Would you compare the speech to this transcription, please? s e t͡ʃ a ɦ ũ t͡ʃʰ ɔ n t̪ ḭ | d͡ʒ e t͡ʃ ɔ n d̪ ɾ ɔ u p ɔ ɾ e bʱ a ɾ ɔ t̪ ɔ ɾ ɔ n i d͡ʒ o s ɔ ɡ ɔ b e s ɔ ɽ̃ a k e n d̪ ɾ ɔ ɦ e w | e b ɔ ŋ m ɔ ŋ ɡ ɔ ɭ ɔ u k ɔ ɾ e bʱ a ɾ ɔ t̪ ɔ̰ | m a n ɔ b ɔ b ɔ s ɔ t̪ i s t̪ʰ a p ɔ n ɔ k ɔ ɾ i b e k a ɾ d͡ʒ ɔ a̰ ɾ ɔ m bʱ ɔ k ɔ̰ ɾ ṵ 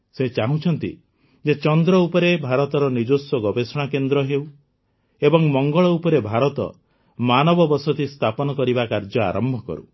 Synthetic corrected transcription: s e t͡ʃ a ɦ ũ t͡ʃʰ ɔ n t̪ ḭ | d͡ʒ e t͡ʃ ɔ n d̪ ɾ ɔ u p ɔ ɾ e bʱ a ɾ ɔ t̪ ɔ ɾ ɔ n i d͡ʒ o s ɔ ɡ ɔ b e s ɔ ɽ̃ a k e n d̪ ɾ ɔ ɦ e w | e b ɔ ŋ m ɔ ŋ ɡ ɔ ɭ ɔ u p ɔ ɾ e bʱ a ɾ ɔ t̪ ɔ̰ | m a n ɔ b ɔ b ɔ s ɔ t̪ i s t̪ʰ a p ɔ n ɔ k ɔ ɾ i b a k a ɾ d͡ʒ ɔ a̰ ɾ ɔ m bʱ ɔ k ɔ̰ ɾ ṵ

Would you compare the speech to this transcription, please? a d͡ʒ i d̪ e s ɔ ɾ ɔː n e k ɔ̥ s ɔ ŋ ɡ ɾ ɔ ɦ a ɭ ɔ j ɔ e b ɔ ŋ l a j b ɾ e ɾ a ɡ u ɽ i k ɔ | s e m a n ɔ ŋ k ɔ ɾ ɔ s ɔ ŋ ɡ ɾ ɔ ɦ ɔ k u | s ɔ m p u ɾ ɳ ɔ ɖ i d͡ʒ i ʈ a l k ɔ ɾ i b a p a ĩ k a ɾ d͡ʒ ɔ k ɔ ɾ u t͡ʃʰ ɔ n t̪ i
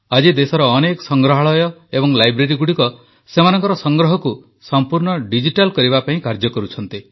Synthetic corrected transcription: a d͡ʒ i d̪ e s ɔ ɾ ɔː n e k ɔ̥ s ɔ ŋ ɡ ɾ ɔ ɦ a ɭ ɔ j ɔ e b ɔ ŋ l a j b ɾ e ɾ i ɡ u ɽ i k ɔ | s e m a n ɔ ŋ k ɔ ɾ ɔ s ɔ ŋ ɡ ɾ ɔ ɦ ɔ k u | s ɔ m p u ɾ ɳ ɔ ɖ i d͡ʒ i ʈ a l k ɔ ɾ i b a p a ĩ k a ɾ d͡ʒ ɔ k ɔ ɾ u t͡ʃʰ ɔ n t̪ i

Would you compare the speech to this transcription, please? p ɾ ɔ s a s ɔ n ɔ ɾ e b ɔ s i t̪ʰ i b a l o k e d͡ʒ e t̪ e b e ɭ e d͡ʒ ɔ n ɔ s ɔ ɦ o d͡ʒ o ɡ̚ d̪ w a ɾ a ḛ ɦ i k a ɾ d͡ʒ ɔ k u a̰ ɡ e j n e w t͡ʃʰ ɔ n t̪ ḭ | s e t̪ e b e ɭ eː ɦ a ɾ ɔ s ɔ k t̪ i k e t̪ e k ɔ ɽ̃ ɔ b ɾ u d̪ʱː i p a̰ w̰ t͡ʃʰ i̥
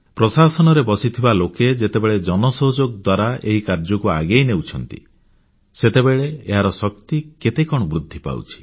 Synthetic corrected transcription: p ɾ ɔ s a s ɔ n ɔ ɾ e b ɔ s i t̪ʰ i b a l o k e d͡ʒ e t̪ e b e ɭ e d͡ʒ ɔ n ɔ s ɔ ɦ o d͡ʒ o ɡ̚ d̪ w a ɾ a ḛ ɦ i k a ɾ d͡ʒ ɔ k u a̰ ɡ e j n e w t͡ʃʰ ɔ n t̪ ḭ | s e t̪ e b e ɭ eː ɦ a ɾ ɔ s ɔ k t̪ i k e t̪ e k ɔ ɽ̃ ɔ b ɾ u d̪ʱː i p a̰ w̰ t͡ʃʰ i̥

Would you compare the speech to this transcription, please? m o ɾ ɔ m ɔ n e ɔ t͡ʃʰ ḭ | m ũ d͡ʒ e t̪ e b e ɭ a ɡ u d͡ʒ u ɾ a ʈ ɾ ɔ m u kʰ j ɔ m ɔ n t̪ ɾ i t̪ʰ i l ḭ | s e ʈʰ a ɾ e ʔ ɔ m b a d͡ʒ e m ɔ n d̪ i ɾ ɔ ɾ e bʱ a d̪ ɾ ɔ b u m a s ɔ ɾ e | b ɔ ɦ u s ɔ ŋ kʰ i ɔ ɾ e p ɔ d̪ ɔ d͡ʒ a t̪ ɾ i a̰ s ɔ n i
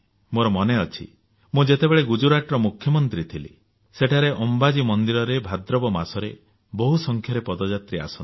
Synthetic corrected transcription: m o ɾ ɔ m ɔ n e ɔ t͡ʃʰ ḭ | m ũ d͡ʒ e t̪ e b e ɭ e ɡ u d͡ʒ u ɾ a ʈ ɾ ɔ m u kʰ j ɔ m ɔ n t̪ ɾ i t̪ʰ i l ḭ | s e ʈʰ a ɾ e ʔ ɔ m b a d͡ʒ i m ɔ n d̪ i ɾ ɔ ɾ e bʱ a d̪ ɾ ɔ b ɔ m a s ɔ ɾ e | b ɔ ɦ u s ɔ ŋ kʰ j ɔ ɾ e p ɔ d̪ ɔ d͡ʒ a t̪ ɾ i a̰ s ɔ n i

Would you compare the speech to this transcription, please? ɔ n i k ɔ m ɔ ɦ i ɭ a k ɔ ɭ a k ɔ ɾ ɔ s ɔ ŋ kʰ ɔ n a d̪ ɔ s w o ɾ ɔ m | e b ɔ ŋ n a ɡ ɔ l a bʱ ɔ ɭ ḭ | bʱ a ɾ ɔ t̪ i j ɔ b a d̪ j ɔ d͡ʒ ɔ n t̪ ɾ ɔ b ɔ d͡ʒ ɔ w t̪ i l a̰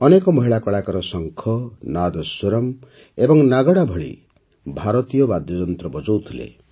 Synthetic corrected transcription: ɔ n e k ɔ m ɔ ɦ i ɭ a k ɔ ɭ a k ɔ ɾ ɔ s ɔ ŋ kʰ ɔ n a d̪ ɔ s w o ɾ ɔ m | e b ɔ ŋ n a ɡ ɔ ɽ a bʱ ɔ ɭ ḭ | bʱ a ɾ ɔ t̪ i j ɔ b a d̪ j ɔ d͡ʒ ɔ n t̪ ɾ ɔ b ɔ d͡ʒ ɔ w t̪ʰ i l ḛ

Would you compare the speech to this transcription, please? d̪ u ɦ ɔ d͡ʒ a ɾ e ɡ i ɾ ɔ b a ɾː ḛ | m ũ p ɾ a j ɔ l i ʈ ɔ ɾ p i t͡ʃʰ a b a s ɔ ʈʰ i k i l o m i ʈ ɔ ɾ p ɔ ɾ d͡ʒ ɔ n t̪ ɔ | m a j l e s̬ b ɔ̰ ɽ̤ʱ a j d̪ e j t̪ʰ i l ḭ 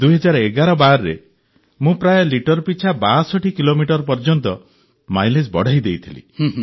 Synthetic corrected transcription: d̪ u ɦ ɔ d͡ʒ a ɾ e ɡ a ɾ ɔ b a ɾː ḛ | m ũ p ɾ a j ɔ l i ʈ ɔ ɾ p i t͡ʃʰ a b a s ɔ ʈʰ i k i l o m i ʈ ɔ ɾ p ɔ ɾ d͡ʒ ɔ n t̪ ɔ | m a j l e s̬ b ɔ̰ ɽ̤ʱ a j d̪ e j t̪ʰ i l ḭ

